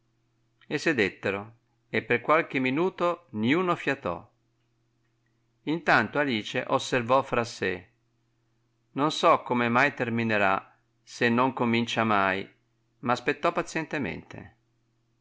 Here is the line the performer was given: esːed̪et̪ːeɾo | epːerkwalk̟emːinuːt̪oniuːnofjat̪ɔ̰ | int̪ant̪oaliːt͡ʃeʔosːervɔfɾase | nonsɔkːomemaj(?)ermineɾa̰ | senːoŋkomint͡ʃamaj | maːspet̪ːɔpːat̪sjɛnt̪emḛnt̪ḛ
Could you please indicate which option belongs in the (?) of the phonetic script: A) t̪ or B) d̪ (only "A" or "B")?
A